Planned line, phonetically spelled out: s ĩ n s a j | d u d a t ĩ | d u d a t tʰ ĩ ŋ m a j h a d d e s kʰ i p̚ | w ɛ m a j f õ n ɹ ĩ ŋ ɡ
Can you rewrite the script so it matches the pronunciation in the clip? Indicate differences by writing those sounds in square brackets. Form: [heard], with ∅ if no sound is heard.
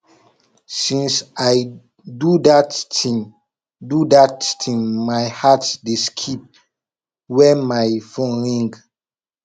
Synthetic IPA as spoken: s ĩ n s a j | d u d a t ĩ | d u d a t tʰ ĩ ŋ m a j h a [t] d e s kʰ i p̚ | w ɛ m a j f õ n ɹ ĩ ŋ ɡ